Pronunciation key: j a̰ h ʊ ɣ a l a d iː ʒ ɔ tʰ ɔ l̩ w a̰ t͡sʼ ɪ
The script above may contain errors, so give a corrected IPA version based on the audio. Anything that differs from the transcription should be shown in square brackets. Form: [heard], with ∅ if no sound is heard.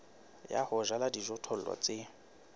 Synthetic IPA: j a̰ h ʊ [ʒ] a l a d [i] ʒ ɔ tʰ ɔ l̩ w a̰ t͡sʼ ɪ